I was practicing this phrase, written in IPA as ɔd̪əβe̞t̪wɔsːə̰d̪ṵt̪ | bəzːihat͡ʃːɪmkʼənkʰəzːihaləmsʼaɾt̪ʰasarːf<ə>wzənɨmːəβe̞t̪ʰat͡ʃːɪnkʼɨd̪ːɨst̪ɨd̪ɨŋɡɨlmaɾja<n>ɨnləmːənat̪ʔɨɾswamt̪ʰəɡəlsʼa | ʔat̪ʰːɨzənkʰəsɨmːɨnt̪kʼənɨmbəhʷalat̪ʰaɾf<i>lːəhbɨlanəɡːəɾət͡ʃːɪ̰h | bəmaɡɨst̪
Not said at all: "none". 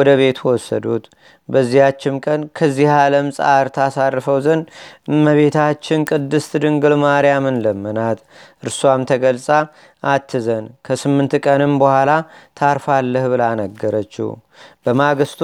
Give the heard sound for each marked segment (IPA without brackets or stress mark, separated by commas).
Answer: ə, m, a